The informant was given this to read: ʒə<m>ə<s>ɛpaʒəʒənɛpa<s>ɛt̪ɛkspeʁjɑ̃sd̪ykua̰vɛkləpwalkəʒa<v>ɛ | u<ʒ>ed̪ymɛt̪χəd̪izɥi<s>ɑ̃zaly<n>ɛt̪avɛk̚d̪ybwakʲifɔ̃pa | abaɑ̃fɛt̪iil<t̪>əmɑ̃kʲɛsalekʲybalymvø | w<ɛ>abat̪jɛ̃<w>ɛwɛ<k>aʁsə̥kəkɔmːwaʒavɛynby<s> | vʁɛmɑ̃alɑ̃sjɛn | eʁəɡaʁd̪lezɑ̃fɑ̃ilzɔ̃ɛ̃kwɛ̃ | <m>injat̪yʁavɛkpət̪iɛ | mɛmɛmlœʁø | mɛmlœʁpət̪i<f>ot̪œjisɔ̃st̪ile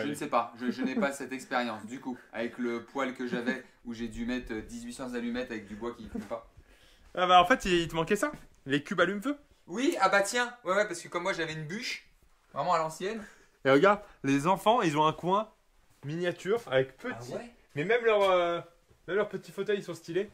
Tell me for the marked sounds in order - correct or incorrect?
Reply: incorrect, correct, correct, correct, correct, correct, incorrect, correct, incorrect, correct, incorrect, incorrect, correct, correct

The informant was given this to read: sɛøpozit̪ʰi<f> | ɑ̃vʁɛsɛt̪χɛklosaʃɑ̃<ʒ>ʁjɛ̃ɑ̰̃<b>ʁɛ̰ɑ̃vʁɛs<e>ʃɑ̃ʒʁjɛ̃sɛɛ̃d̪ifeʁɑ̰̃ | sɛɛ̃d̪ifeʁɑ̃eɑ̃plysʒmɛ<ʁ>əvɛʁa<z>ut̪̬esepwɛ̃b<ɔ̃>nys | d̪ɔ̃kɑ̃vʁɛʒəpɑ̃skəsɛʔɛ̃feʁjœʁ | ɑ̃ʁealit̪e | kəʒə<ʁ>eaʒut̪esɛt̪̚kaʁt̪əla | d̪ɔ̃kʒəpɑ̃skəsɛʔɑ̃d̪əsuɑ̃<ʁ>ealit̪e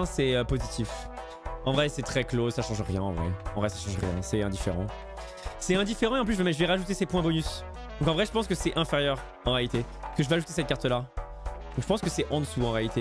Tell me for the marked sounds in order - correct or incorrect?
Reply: correct, correct, incorrect, incorrect, incorrect, incorrect, incorrect, incorrect, correct

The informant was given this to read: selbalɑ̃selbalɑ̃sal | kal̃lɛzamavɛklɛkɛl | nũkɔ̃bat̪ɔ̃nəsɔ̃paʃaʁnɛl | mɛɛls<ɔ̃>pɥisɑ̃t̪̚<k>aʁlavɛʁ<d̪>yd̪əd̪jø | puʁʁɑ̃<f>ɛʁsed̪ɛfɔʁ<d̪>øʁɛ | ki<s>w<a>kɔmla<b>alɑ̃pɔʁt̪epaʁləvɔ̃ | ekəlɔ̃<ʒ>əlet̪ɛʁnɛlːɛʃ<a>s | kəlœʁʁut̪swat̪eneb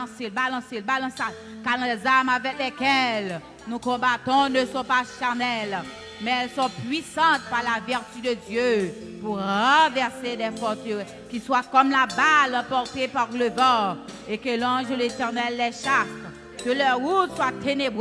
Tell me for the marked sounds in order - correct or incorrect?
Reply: correct, incorrect, incorrect, incorrect, incorrect, correct, correct, correct, correct, correct

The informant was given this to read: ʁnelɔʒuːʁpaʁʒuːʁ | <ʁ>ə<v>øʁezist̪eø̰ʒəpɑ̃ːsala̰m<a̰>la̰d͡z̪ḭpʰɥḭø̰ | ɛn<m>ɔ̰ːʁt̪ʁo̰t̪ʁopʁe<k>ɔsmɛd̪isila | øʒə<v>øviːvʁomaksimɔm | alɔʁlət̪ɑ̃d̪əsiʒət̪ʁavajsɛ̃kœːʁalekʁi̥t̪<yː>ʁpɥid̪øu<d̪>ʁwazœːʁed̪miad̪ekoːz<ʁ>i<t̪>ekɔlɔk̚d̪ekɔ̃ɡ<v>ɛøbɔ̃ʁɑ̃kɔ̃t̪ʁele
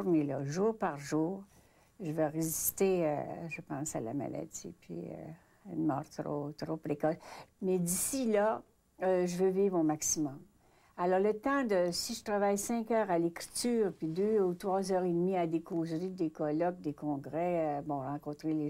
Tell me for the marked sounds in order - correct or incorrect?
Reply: incorrect, correct, correct, correct, correct, correct, correct, incorrect, correct, incorrect, incorrect

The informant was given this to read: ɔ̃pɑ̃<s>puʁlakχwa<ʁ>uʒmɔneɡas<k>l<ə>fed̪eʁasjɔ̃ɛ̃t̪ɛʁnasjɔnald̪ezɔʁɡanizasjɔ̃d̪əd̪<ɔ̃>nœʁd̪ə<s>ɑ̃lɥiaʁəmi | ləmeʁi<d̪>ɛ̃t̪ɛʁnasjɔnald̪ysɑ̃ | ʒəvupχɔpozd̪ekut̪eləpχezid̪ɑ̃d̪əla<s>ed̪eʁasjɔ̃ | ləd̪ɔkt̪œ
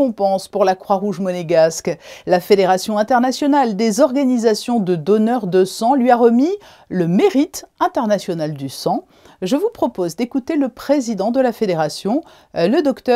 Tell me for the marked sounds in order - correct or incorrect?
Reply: correct, correct, correct, incorrect, incorrect, correct, incorrect, incorrect

